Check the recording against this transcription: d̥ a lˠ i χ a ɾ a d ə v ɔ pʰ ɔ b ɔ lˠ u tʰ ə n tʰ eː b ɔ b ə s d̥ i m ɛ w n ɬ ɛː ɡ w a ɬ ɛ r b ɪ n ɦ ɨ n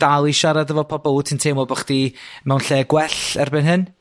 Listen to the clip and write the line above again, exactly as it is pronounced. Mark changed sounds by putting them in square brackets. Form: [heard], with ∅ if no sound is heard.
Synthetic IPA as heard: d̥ a lˠ i [ʃ] a ɾ a d ə v ɔ pʰ ɔ b ɔ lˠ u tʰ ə n tʰ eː [m] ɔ b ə [χ] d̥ i m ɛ w n ɬ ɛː ɡ w [ɛ] ɬ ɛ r b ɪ n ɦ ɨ n